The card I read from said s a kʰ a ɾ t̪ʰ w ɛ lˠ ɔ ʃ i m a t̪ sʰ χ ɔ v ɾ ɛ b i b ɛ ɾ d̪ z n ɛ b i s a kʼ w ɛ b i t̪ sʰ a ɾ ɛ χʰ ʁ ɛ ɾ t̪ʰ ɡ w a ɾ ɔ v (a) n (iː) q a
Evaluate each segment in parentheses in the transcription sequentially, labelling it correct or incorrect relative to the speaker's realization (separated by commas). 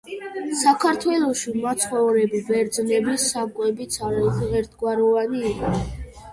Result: correct, correct